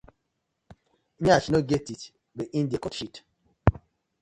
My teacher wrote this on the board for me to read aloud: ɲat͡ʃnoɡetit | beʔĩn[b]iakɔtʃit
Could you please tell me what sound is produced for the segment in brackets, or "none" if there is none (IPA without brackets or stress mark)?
d